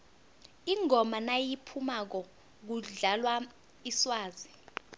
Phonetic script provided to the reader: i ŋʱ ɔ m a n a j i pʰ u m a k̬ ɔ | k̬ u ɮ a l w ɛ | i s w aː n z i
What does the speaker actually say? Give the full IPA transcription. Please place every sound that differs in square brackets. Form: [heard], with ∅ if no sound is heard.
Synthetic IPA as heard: i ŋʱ ɔ m a n a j i pʰ u m a k̬ ɔ | k̬ u ɮ a l w [a] | i s w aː [∅] z i